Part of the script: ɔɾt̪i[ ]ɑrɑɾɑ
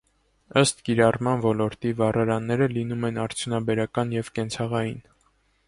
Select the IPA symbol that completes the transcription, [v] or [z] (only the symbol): v